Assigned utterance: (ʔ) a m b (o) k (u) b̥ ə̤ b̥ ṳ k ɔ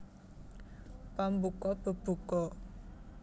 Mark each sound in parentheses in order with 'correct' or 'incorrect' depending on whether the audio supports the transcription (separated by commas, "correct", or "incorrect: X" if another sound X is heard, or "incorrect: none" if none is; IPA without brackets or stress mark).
incorrect: p, incorrect: u, incorrect: ɔ